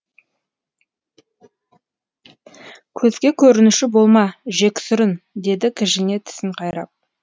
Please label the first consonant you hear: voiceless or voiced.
voiceless